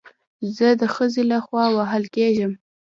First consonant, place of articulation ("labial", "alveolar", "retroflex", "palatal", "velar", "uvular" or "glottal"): alveolar